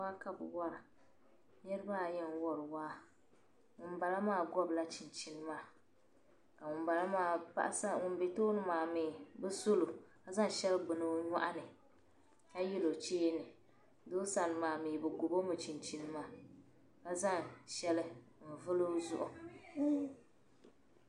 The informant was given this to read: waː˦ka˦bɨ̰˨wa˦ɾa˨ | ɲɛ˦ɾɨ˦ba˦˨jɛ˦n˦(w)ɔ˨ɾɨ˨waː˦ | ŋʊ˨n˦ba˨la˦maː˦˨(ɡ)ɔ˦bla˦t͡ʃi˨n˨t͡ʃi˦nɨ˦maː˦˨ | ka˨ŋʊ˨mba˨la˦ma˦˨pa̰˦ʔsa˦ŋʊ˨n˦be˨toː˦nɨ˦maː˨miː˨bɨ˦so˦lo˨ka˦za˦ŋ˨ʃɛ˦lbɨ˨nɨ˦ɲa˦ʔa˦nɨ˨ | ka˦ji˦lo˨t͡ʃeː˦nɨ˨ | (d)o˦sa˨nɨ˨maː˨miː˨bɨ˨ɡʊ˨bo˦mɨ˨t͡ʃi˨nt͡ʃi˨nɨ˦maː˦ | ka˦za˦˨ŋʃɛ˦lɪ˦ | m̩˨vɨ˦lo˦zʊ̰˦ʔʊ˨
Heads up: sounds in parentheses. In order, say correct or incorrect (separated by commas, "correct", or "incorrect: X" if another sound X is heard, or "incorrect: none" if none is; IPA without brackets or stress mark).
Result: correct, correct, correct